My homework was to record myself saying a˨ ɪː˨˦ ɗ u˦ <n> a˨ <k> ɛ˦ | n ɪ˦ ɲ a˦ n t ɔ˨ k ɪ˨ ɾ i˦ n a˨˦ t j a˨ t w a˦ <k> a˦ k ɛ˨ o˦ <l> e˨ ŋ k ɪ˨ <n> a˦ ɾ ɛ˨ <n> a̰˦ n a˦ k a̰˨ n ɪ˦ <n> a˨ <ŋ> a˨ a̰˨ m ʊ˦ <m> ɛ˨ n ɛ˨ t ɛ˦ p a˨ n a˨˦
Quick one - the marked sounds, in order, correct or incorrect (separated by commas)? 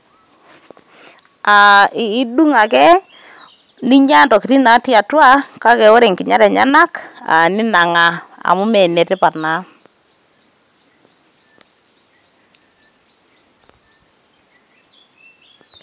incorrect, correct, correct, incorrect, incorrect, incorrect, correct, correct, correct